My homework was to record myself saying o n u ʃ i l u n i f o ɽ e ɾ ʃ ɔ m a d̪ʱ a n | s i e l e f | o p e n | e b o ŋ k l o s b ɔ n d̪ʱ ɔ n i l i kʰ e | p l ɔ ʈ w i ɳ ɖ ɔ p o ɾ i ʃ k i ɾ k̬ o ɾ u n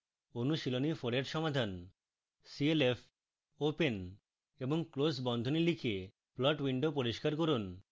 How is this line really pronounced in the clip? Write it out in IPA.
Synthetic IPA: o n u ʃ i l o n i f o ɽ e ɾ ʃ ɔ m a d̪ʱ a n | s i e l e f | o p e n | e b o ŋ k l o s b ɔ n d̪ʱ o n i l i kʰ e | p l ɔ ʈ w i ɳ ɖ o p o ɾ i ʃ k a ɾ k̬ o ɾ u n

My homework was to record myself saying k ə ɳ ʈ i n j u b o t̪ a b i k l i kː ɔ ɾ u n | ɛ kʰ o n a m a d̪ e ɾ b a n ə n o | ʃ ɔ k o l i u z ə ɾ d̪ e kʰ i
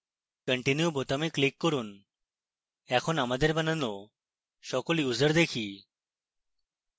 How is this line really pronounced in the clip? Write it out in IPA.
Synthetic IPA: k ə ɳ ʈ i n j u b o t̪ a m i k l i kː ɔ ɾ u n | ɛ kʰ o n a m a d̪ e ɾ b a n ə n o | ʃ ɔ k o l i u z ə ɾ d̪ e kʰ i

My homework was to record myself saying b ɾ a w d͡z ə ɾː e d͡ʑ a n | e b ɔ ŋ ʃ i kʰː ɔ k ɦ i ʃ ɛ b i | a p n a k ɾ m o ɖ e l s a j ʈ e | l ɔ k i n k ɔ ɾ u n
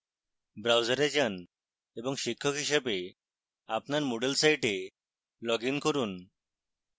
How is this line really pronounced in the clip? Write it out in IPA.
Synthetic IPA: b ɾ a w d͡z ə ɾ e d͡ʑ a n | e b ɔ ŋ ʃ i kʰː ɔ k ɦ i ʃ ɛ b e | a p n a ɾ m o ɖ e l s a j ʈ e | l ɔ ɡ i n k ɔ ɾ u n

